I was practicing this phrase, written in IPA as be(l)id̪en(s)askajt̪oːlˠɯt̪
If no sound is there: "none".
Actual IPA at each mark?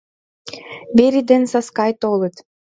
ɾ, s

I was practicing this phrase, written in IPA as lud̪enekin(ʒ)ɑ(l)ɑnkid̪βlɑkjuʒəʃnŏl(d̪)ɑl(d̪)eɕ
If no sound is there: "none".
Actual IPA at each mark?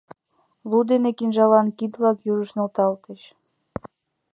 ʒ, l, t̪, t̪

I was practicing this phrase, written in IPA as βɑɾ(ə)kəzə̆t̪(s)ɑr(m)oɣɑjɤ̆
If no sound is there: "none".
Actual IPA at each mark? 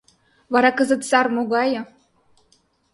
ɑ, s, m

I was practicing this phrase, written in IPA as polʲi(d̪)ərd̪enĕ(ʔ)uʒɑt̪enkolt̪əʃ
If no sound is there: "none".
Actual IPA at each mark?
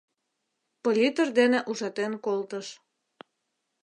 t̪, ʔ

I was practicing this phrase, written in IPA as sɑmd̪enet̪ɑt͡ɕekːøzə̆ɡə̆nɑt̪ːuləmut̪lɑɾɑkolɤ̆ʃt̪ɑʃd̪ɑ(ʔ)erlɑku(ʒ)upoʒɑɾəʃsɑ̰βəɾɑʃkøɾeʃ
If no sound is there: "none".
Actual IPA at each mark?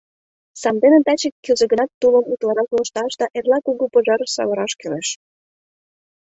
ʔ, ɣ

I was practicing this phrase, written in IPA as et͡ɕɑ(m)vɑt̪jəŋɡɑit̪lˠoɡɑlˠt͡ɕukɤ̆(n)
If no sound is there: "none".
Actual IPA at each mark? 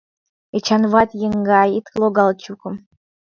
n, m

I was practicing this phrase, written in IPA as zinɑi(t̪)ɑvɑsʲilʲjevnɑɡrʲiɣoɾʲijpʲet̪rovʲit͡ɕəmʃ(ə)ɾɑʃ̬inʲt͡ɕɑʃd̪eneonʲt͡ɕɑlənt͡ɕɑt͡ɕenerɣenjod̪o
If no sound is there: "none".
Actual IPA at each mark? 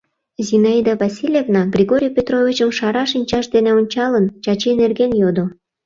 d̪, ɑ

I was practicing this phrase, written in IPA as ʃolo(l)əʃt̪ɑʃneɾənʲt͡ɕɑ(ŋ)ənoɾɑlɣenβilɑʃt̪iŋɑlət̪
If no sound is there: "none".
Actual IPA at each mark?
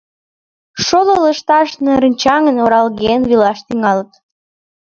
l, ŋ

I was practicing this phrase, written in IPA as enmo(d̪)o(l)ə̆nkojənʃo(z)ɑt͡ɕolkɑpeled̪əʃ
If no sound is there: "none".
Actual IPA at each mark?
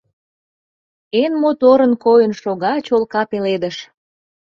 t̪, ɾ, ɣ

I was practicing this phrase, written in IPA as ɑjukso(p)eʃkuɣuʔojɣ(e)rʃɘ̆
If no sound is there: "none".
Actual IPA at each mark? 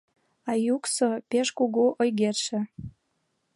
p, e

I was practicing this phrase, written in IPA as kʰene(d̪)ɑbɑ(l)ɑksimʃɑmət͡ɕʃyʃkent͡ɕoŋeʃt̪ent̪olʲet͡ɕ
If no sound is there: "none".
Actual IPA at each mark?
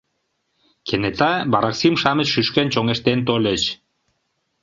t̪, ɾ

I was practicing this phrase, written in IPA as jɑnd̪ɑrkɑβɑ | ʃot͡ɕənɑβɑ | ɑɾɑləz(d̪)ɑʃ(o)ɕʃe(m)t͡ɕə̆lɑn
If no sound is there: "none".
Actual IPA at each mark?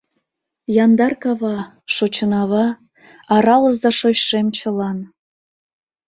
d̪, o, m

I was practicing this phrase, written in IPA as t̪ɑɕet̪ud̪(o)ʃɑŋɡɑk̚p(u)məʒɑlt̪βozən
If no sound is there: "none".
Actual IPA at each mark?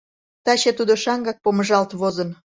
o, o

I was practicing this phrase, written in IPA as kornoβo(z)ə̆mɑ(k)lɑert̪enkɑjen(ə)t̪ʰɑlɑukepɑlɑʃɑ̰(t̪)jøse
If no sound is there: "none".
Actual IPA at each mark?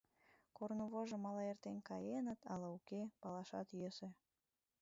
ʒ, none, ə, t̪

